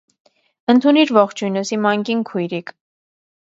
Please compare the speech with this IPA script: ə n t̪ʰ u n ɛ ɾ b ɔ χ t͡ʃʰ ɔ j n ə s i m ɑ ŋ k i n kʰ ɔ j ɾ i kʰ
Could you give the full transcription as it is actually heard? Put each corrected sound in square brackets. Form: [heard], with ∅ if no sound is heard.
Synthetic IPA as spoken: ə n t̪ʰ u n [i] ɾ [v] ɔ χ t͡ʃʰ [u] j n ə s i m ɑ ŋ k i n kʰ [u] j ɾ i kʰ